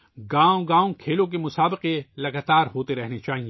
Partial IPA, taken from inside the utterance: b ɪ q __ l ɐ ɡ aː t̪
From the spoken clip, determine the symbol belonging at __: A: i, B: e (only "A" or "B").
B